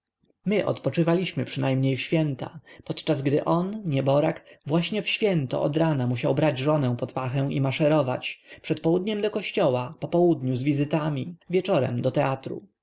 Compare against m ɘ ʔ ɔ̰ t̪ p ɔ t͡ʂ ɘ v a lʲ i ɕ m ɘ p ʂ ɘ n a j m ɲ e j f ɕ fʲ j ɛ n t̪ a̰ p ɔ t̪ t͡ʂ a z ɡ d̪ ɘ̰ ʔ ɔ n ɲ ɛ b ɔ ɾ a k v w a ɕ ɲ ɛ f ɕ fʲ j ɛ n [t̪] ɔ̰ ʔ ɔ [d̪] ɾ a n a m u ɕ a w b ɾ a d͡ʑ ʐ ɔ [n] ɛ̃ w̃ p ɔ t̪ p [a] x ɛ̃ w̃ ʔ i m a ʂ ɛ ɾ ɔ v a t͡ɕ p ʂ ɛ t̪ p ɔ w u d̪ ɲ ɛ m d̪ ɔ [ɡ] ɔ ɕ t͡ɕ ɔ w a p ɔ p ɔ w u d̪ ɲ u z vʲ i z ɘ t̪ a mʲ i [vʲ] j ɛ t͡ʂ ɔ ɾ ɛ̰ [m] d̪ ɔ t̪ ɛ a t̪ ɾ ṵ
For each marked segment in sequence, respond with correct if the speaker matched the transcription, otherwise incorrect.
correct, correct, correct, correct, incorrect: k, correct, correct

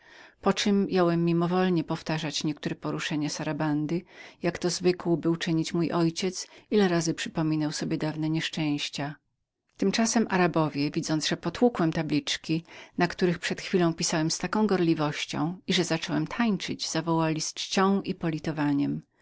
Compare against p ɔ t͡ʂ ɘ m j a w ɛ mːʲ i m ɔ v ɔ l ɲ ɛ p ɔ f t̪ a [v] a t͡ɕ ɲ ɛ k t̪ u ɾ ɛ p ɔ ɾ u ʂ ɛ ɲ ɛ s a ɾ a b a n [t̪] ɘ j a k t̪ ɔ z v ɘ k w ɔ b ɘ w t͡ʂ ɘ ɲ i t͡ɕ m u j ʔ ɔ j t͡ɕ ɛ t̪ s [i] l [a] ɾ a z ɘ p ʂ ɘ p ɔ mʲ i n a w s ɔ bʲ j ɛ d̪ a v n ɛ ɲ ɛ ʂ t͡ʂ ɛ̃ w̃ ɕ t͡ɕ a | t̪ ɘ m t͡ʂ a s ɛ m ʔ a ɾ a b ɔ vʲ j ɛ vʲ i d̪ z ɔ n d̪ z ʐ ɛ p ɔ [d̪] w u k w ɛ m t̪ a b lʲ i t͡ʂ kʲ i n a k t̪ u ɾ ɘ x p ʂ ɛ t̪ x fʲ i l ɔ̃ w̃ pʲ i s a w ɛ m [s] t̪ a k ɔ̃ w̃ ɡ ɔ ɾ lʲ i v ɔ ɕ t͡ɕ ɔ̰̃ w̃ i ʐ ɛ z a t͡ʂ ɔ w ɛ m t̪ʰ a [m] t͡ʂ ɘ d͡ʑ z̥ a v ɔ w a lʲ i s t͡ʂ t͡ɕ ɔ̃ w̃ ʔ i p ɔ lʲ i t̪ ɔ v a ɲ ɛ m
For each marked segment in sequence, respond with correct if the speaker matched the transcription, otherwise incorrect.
incorrect: ʐ, incorrect: d̪, correct, incorrect: ɛ, incorrect: t̪, correct, incorrect: ɲ

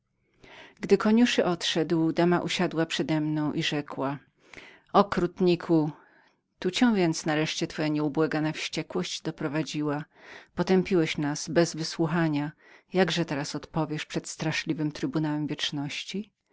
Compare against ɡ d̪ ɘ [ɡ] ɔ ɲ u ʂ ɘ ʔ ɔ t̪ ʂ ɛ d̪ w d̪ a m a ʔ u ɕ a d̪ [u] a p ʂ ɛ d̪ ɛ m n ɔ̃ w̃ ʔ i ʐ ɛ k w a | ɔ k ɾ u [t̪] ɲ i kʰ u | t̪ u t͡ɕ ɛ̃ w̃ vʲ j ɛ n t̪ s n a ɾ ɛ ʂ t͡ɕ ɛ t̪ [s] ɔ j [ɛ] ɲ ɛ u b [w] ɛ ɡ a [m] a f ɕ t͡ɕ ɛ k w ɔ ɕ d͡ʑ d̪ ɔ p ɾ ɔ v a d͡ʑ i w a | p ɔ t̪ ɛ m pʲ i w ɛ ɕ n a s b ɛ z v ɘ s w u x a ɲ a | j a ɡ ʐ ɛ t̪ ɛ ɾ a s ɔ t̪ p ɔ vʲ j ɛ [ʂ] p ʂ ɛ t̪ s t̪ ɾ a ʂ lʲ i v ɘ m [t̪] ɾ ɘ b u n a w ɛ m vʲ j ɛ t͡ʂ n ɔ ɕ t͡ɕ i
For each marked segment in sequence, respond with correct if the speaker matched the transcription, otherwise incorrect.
incorrect: k, incorrect: w, correct, incorrect: f, incorrect: a, correct, incorrect: n, correct, correct

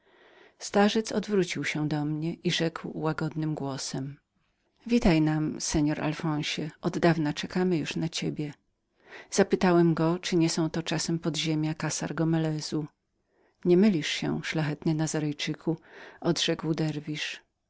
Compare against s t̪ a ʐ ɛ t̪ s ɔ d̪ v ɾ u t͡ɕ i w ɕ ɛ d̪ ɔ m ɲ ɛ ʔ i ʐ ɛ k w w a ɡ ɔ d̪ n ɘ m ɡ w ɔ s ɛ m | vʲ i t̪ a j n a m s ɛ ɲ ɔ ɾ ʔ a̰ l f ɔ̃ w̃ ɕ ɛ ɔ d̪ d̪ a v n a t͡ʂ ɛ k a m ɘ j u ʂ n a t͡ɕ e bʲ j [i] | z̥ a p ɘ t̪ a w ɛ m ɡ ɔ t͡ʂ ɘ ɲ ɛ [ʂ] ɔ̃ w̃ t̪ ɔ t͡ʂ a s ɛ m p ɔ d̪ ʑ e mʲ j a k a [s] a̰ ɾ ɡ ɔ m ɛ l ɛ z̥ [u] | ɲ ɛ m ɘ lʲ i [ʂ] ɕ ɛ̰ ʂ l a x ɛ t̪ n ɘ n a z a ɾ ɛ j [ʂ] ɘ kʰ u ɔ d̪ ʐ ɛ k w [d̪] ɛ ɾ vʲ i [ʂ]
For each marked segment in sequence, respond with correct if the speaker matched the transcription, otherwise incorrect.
incorrect: ɛ, incorrect: s, correct, correct, correct, incorrect: t͡ʂ, correct, correct

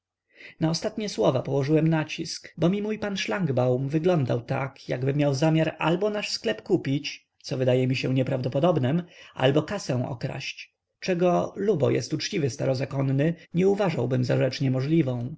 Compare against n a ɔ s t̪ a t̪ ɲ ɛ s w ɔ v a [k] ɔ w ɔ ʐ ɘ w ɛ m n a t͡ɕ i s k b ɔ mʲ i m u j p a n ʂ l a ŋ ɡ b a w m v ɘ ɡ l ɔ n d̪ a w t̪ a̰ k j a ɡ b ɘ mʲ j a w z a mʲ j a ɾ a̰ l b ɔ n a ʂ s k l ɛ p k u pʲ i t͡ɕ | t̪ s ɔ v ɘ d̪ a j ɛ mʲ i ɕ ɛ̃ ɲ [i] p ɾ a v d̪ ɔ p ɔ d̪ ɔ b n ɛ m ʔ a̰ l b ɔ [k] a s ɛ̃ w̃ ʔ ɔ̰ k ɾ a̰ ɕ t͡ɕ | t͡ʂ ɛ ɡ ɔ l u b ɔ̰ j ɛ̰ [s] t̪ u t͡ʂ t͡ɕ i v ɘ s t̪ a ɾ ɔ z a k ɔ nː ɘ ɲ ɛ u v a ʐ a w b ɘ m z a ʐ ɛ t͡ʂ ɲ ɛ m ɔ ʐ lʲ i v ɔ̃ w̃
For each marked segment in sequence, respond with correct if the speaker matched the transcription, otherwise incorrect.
incorrect: p, incorrect: ɛ, correct, correct

